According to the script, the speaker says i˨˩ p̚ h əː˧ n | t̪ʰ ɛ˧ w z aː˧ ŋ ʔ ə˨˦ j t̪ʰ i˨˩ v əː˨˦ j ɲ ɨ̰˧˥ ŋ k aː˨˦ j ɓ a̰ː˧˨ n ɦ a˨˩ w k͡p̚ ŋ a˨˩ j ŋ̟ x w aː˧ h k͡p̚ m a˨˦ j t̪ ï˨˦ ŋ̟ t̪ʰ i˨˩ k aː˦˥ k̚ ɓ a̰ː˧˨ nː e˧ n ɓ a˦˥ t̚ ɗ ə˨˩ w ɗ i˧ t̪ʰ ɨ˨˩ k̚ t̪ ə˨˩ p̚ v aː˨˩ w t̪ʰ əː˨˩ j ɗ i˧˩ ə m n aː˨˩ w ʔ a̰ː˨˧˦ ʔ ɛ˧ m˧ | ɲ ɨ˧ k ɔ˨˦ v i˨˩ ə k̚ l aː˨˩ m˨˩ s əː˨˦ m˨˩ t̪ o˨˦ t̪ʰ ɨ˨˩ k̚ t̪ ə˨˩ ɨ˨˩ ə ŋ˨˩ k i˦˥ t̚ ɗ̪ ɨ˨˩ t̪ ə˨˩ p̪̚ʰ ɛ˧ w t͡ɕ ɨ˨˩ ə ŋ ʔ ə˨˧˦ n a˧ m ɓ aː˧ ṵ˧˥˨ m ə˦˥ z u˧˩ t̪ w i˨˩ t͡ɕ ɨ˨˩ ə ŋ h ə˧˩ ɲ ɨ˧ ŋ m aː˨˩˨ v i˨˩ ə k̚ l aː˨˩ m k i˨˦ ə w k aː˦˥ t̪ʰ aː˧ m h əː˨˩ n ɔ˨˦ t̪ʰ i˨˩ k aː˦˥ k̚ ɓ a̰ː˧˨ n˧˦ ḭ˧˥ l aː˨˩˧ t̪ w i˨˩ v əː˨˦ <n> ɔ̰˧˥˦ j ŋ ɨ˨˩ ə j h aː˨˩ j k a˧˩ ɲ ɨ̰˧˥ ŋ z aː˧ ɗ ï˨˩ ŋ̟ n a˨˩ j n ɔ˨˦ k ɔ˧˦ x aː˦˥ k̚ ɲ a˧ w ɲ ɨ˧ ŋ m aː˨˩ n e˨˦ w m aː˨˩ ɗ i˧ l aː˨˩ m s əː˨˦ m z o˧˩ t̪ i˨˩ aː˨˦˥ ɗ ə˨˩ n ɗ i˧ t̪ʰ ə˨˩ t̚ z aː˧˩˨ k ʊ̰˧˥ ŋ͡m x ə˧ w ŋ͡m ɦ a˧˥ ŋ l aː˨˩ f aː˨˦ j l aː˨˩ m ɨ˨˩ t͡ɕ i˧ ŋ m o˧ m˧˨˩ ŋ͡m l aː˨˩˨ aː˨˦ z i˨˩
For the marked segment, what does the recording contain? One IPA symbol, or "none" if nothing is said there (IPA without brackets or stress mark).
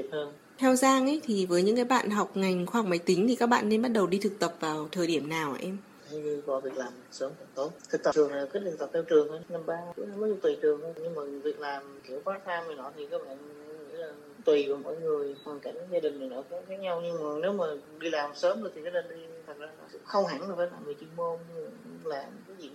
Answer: m